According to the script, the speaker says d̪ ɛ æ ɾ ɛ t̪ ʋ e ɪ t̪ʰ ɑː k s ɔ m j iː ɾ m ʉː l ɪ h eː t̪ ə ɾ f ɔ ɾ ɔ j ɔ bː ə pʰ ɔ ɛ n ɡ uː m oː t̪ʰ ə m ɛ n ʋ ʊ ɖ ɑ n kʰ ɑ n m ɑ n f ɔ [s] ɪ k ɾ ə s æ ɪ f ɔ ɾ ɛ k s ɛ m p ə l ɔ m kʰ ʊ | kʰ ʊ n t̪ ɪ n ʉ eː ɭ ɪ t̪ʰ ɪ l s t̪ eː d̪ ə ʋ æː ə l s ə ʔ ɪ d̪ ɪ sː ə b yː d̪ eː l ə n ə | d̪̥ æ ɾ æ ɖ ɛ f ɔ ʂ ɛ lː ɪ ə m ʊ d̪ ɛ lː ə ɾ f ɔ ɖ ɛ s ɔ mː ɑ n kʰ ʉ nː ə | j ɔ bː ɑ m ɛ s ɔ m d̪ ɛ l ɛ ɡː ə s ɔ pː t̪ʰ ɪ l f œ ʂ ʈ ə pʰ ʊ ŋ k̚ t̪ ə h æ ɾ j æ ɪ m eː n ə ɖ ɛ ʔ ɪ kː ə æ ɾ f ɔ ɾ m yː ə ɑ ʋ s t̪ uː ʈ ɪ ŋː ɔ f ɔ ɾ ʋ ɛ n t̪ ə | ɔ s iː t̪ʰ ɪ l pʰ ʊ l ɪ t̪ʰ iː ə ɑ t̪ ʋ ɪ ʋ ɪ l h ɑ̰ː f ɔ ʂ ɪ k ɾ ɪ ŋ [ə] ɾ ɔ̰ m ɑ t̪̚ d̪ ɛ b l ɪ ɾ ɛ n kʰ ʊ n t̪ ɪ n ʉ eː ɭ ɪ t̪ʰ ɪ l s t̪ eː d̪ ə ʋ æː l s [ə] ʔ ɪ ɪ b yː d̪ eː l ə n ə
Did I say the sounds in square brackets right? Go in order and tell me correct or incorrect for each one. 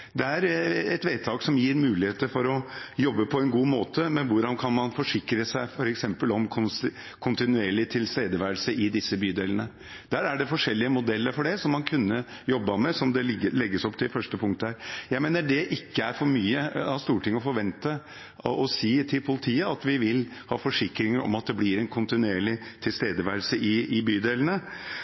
incorrect: ʂ, correct, correct

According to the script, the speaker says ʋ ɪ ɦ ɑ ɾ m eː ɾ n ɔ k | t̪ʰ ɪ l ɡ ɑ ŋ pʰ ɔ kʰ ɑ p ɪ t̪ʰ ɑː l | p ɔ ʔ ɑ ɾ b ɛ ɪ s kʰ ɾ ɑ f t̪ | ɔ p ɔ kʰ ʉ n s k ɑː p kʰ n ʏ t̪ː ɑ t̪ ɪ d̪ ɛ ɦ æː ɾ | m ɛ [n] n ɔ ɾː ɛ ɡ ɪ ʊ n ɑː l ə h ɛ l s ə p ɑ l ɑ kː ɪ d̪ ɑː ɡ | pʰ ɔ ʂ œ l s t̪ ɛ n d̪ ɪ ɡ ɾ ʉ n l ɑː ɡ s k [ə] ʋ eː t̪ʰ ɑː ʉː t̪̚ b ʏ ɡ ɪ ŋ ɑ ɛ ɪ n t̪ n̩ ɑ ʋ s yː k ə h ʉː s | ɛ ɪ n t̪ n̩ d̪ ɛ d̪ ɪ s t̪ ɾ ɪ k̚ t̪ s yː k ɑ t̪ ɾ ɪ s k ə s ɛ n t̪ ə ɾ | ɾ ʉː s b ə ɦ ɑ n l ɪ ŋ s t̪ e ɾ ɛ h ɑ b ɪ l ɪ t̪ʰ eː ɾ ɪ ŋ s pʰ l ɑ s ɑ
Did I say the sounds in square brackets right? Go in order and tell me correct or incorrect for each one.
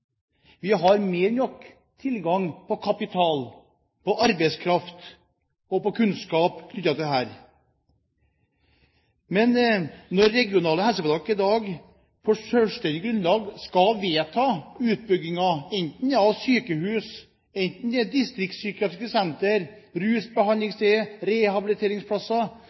correct, incorrect: ɑ

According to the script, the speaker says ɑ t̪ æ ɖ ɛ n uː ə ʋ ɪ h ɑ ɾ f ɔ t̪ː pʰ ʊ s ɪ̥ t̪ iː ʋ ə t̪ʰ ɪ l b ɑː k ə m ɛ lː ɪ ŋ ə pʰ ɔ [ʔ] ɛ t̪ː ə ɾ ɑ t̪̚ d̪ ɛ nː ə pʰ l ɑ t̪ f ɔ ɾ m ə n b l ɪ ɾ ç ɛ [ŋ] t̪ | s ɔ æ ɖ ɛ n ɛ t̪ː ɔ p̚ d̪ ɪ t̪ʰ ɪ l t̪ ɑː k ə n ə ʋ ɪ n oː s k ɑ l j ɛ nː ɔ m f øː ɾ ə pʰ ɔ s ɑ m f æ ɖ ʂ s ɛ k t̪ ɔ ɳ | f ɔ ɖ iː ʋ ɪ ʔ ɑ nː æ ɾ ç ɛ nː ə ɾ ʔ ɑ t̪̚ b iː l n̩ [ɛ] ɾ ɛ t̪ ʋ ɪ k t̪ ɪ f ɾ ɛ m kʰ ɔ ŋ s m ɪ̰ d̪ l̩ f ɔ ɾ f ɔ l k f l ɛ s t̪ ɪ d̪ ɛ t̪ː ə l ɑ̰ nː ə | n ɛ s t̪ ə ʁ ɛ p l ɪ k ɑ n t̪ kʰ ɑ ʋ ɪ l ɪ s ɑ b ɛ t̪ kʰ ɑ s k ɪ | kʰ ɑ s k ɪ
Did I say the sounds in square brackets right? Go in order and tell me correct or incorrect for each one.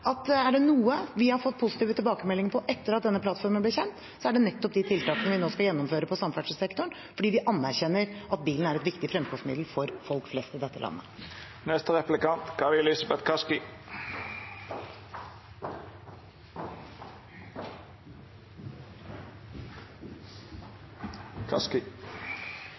correct, incorrect: n, incorrect: æ

